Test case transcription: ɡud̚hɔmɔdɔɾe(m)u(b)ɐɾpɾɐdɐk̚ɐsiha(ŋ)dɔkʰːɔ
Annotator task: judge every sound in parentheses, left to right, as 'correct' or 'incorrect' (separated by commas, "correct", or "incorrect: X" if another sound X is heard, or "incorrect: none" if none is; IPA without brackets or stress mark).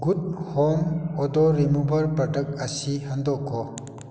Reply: correct, correct, incorrect: n